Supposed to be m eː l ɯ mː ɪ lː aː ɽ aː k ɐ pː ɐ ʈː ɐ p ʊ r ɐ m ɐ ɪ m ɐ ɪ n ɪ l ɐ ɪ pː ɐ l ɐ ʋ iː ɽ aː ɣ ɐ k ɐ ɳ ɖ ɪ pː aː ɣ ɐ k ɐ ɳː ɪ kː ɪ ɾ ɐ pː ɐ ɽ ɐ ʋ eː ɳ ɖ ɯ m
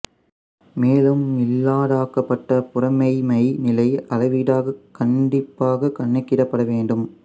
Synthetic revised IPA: m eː l ɯ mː ɪ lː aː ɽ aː k ɐ pː ɐ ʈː ɐ p ʊ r ɐ m ɐ ɪ m ɐ ɪ n ɪ l ɐ ɪ ɐ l ɐ ʋ iː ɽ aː ɣ ɐ k ɐ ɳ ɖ ɪ pː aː ɣ ɐ k ɐ ɳː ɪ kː ɪ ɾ ɐ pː ɐ ɽ ɐ ʋ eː ɳ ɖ ɯ m